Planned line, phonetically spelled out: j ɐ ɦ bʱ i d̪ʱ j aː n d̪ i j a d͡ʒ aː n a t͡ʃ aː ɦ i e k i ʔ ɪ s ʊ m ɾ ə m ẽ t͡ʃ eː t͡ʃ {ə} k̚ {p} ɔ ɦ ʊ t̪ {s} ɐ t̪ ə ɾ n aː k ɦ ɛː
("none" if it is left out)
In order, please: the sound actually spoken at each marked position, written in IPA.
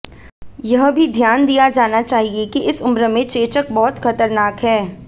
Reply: ə, b, x

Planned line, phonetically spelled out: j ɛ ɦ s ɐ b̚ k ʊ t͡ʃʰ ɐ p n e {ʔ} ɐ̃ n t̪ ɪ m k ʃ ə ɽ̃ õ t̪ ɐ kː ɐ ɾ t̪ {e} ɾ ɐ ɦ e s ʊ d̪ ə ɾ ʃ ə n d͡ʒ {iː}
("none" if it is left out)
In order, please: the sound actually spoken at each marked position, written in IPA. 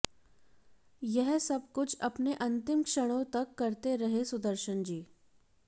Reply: ʔ, e, iː

